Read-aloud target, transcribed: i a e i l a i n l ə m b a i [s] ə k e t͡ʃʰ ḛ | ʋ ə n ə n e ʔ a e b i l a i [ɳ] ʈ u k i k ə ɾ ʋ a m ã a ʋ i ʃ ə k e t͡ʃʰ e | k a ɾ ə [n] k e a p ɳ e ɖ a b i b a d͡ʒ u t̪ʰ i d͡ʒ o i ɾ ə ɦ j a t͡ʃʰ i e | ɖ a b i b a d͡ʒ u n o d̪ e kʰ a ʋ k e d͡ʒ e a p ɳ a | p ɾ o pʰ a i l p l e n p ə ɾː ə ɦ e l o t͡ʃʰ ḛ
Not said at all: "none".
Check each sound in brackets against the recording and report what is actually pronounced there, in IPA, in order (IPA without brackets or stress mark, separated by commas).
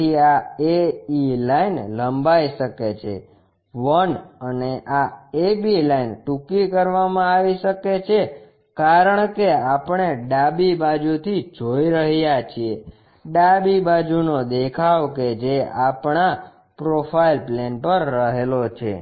ʃ, n, ɳ